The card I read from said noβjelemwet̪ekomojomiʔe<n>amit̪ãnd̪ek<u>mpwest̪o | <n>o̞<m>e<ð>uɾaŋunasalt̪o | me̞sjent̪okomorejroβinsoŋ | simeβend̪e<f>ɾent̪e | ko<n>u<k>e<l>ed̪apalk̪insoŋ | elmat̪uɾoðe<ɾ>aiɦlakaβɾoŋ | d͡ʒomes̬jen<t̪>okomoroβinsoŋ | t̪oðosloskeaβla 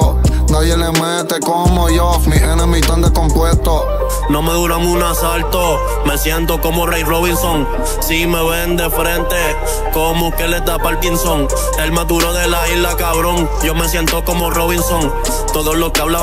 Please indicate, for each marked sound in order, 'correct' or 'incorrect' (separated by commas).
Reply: correct, incorrect, correct, correct, correct, correct, incorrect, correct, correct, incorrect, correct